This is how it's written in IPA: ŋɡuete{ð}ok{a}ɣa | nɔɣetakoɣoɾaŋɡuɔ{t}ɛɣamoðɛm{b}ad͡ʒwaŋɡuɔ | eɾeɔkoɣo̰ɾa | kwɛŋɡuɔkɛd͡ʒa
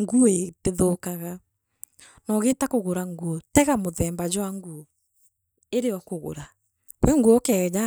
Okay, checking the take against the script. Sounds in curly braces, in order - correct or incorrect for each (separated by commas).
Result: correct, correct, correct, correct